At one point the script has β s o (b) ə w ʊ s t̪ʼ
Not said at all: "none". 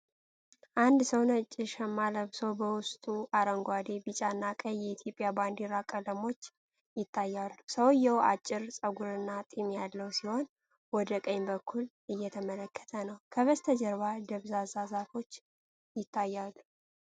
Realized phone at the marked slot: b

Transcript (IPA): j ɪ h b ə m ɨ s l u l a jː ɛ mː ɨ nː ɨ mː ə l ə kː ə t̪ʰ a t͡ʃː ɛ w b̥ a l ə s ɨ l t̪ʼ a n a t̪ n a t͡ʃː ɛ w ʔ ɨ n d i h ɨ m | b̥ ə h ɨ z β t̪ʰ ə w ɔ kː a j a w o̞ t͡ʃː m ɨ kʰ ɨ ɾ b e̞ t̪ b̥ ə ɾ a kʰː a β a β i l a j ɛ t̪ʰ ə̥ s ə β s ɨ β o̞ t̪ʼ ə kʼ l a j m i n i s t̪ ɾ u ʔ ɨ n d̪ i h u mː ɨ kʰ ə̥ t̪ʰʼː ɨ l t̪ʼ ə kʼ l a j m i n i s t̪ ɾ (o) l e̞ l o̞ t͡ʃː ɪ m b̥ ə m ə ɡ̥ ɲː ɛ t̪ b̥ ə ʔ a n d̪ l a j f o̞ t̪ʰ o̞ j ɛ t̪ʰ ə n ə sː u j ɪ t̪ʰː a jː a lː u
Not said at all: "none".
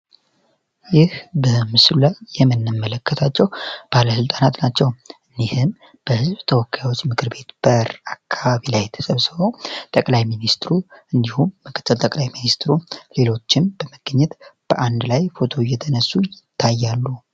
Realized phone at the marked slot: u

